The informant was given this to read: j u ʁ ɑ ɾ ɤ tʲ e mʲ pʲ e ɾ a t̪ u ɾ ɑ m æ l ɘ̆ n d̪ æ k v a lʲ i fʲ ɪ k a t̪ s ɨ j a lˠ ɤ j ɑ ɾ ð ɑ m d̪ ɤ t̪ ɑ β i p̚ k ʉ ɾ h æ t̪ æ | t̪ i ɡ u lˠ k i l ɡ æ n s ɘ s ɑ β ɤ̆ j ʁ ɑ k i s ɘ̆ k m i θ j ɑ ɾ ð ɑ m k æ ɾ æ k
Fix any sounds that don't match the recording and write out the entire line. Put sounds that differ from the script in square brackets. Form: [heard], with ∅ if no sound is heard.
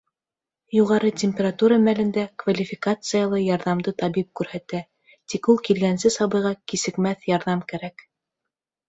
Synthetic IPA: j u ʁ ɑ ɾ ɤ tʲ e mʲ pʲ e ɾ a t̪ u ɾ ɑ m æ l ɘ̆ n d̪ æ k v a lʲ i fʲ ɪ k a t̪ s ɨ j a lˠ ɤ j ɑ ɾ ð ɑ m d̪ ɤ t̪ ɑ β i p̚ k ʉ ɾ h æ t̪ æ | t̪ i [k] u lˠ k i l ɡ æ n s ɘ s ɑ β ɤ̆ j ʁ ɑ k i s ɘ̆ k m [æ] θ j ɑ ɾ ð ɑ m k æ ɾ æ k